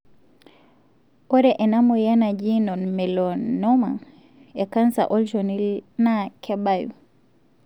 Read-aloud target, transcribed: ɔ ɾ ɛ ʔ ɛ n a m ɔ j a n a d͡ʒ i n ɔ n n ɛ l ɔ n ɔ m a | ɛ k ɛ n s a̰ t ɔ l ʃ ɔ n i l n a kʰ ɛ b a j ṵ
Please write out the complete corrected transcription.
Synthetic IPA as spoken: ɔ ɾ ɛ ʔ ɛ n a m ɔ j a n a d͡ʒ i n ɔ n m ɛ l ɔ n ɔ m a | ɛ k a n s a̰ ʔ ɔ l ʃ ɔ n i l n a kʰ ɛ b a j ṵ